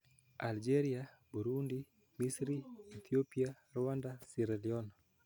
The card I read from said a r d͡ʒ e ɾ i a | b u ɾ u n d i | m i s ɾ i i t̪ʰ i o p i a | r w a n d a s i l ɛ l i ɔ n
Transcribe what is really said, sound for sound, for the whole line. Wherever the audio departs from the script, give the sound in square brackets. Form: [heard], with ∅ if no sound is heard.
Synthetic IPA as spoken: a [l] d͡ʒ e ɾ i a | b u ɾ u n d i | m i s ɾ i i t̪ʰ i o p i a | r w a n d a s i [ɾ] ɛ l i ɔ n